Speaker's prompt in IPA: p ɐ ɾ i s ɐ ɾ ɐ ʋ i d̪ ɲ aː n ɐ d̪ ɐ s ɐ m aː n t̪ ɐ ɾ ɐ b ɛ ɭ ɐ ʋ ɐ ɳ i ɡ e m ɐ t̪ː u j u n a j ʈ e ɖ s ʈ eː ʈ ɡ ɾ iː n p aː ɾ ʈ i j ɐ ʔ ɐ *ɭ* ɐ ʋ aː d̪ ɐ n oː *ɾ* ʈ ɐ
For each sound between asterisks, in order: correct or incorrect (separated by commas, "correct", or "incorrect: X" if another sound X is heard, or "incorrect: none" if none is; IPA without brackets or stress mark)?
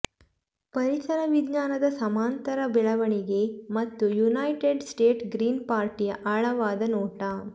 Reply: correct, incorrect: none